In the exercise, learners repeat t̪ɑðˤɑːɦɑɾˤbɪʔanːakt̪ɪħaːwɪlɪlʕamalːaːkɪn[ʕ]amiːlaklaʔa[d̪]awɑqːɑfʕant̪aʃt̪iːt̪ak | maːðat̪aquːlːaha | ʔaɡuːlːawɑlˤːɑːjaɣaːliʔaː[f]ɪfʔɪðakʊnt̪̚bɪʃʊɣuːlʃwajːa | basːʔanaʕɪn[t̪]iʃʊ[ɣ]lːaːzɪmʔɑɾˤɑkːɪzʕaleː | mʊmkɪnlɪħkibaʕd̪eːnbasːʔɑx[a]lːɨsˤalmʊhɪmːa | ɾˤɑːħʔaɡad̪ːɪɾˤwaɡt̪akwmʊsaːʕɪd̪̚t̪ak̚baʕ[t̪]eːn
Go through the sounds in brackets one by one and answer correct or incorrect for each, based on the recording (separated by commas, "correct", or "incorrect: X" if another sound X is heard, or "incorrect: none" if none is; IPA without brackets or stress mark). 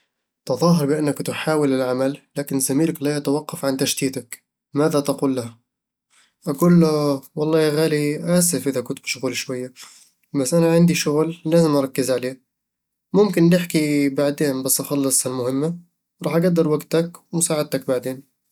incorrect: z, incorrect: t̪, incorrect: s, incorrect: d̪, correct, incorrect: ɑ, incorrect: d̪